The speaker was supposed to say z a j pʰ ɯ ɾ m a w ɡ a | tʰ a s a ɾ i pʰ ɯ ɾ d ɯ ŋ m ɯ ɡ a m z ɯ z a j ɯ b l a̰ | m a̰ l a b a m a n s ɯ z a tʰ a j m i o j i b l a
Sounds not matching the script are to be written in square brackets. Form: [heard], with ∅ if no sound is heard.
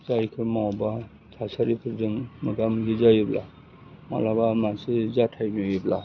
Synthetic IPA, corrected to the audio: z a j [kʰ] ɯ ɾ m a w [b] a | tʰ a s a ɾ i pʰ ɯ ɾ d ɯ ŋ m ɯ ɡ a m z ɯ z a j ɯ b l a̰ | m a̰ l a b a m a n s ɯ z a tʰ a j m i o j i b l a